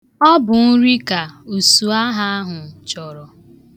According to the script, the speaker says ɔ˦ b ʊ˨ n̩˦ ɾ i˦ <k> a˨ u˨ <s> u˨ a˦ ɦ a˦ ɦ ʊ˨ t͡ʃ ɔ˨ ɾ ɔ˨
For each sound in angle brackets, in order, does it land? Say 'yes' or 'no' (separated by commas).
yes, yes